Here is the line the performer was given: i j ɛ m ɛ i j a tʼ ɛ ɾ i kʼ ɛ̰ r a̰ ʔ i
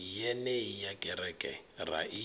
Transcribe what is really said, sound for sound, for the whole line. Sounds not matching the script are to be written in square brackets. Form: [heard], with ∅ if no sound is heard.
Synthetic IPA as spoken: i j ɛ [n] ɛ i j a [kʼ] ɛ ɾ [ɛ] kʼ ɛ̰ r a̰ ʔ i